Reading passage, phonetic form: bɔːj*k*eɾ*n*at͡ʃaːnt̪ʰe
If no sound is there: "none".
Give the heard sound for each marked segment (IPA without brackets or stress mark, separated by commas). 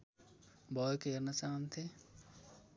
k, n